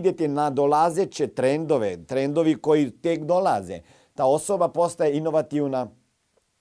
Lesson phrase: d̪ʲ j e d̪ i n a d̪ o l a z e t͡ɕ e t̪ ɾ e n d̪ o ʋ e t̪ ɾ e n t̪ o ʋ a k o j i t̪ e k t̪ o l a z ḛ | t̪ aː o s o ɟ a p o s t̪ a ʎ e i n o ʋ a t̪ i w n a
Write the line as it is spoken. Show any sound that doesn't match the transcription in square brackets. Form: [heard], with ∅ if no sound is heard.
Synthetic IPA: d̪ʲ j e [t̪] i n a d̪ o l a z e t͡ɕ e t̪ ɾ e n d̪ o ʋ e t̪ ɾ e n [d̪] o ʋ [i] k o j i t̪ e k [d̪] o l a z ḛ | t̪ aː o s o [b] a p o s t̪ a [j] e i n o ʋ a t̪ i w n a